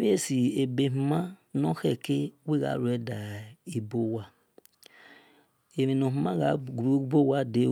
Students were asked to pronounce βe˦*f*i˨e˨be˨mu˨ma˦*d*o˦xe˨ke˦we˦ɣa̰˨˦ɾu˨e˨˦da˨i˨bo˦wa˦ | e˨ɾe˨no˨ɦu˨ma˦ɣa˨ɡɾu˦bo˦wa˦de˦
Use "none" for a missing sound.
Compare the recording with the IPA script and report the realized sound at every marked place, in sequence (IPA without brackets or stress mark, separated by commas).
s, n